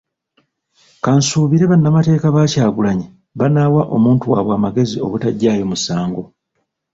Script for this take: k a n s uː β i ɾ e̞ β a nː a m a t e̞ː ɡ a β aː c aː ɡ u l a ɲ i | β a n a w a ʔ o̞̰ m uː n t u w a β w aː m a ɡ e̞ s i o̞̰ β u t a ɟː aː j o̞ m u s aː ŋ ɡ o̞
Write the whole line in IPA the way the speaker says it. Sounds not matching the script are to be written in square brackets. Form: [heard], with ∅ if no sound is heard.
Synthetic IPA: k a n s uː β i ɾ e̞ β a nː a m a t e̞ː [k] a β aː c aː ɡ u l a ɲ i | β a n a w a ʔ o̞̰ m uː n t u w a β w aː m a ɡ e̞ [z] i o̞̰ β u t a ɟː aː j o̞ m u s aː ŋ ɡ o̞